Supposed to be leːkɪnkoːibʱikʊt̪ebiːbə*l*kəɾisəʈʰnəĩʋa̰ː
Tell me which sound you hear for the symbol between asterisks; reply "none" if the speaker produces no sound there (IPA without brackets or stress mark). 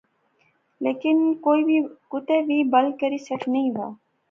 l